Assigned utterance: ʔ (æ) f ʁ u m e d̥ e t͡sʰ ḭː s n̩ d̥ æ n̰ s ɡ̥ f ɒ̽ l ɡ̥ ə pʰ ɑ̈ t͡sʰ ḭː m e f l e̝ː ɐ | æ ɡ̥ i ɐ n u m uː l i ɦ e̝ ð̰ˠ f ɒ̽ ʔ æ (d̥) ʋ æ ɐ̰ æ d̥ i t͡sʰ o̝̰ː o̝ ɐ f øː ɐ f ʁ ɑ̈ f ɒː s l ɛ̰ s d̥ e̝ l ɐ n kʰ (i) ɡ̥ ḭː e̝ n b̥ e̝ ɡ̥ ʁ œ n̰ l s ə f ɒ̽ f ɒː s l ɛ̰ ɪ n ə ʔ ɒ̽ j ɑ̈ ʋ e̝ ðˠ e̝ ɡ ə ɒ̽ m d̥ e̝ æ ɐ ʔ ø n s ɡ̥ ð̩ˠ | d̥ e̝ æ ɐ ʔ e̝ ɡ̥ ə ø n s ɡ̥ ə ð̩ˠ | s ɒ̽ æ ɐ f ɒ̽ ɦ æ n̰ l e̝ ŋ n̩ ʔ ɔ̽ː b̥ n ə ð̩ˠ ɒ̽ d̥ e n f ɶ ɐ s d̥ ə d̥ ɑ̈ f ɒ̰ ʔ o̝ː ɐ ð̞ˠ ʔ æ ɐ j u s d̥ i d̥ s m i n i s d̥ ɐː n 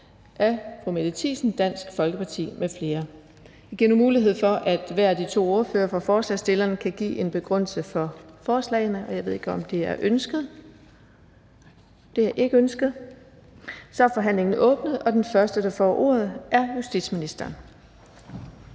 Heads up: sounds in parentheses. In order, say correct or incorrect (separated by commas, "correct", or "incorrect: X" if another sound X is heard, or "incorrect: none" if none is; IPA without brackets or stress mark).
correct, correct, incorrect: æ